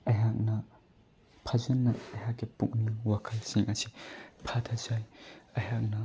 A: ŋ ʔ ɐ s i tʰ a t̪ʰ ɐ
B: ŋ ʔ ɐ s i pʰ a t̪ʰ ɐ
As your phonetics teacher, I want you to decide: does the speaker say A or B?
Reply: B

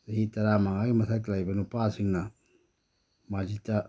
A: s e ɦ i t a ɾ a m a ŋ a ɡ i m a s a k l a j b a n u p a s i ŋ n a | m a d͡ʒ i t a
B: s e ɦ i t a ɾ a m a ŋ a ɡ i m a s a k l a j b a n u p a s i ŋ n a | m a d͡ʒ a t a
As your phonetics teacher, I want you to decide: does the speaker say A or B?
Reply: A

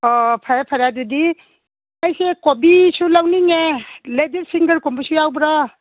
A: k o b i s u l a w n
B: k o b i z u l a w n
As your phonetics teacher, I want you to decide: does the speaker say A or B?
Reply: A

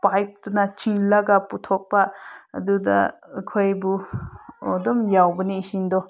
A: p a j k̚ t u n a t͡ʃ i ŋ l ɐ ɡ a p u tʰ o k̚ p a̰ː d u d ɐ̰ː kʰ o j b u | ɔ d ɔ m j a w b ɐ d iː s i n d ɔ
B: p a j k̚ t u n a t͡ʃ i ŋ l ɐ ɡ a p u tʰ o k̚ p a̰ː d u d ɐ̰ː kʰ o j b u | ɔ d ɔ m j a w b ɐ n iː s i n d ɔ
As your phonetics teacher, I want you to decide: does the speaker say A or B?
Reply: B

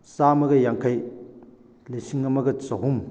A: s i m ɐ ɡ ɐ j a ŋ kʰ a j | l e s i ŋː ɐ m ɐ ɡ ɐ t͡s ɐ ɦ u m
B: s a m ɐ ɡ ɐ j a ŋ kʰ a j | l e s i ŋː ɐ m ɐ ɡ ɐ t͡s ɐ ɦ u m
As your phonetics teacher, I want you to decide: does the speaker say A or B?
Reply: B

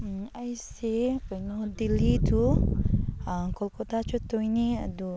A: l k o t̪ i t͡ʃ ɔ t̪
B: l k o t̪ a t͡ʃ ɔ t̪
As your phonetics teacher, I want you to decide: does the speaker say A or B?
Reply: B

